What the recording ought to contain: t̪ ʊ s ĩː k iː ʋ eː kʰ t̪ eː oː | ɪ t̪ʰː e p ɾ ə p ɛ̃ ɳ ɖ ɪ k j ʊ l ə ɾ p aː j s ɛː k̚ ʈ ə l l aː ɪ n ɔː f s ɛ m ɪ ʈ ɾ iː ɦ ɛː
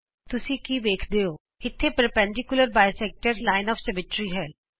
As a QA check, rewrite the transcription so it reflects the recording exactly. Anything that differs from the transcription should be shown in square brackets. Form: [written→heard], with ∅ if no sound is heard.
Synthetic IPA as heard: t̪ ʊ s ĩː k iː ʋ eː kʰ [t̪→d̪] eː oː | ɪ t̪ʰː e p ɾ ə p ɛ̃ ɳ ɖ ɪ k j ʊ l ə ɾ [p→b] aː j s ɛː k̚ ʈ ə [l→ɾ] l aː ɪ n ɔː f s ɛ m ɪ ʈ ɾ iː ɦ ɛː